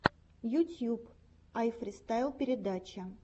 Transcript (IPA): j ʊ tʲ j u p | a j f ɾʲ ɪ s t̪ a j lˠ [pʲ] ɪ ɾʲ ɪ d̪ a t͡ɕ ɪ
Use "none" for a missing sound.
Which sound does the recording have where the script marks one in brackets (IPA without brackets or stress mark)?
pʲ